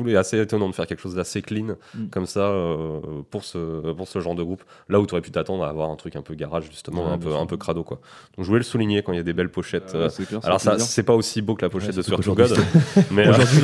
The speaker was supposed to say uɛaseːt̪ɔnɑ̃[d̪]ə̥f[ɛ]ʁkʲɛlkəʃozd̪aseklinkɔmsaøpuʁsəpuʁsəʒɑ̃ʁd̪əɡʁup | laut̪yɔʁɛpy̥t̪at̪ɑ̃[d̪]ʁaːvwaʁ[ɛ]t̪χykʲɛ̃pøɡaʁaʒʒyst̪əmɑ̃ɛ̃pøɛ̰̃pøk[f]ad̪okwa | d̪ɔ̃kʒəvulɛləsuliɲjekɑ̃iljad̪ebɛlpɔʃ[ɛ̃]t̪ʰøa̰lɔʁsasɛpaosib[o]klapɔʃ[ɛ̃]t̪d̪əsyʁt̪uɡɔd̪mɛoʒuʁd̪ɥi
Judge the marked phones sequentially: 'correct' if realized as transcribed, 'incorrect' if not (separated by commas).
correct, correct, correct, incorrect, incorrect, incorrect, correct, incorrect